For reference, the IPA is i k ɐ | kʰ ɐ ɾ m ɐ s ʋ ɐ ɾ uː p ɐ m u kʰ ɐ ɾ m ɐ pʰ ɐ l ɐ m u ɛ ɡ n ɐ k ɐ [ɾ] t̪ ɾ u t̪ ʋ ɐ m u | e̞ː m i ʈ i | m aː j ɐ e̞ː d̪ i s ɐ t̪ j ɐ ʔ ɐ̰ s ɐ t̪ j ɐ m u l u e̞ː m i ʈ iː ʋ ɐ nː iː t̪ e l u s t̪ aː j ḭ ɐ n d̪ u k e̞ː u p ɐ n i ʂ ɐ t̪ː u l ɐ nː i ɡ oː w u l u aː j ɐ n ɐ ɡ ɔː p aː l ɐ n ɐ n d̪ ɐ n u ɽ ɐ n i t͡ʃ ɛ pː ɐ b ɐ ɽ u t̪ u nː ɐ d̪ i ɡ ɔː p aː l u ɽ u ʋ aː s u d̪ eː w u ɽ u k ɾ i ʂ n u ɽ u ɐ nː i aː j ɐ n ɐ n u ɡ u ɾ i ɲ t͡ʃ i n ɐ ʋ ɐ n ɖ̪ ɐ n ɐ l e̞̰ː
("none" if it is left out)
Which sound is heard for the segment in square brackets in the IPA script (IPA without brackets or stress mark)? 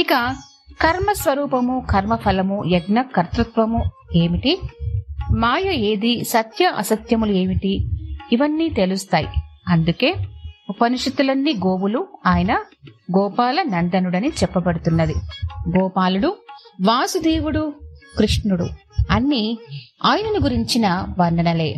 ɾ